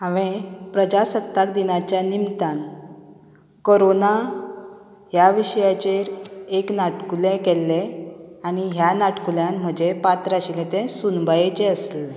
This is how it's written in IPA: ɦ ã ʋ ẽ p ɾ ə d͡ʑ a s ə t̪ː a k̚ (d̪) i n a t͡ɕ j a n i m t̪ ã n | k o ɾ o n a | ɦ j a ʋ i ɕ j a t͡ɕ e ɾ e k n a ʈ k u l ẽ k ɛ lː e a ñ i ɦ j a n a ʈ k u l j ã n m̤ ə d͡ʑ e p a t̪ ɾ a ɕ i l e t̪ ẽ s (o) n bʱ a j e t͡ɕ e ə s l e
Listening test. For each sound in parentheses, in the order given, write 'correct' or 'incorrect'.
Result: correct, incorrect: u

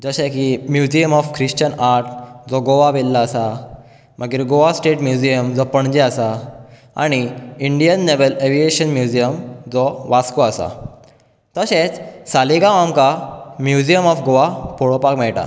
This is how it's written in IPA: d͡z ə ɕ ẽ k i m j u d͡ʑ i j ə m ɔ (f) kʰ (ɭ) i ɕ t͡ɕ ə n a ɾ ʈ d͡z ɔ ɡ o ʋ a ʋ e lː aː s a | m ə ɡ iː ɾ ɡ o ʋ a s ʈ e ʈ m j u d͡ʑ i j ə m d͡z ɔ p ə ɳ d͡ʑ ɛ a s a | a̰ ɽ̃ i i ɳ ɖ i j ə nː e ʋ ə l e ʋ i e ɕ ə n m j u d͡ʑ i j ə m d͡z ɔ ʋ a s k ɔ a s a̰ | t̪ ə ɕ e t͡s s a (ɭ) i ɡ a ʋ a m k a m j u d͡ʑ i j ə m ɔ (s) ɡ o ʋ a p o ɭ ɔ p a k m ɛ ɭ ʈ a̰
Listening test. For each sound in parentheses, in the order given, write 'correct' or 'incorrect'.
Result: correct, incorrect: ɾ, incorrect: l, incorrect: f

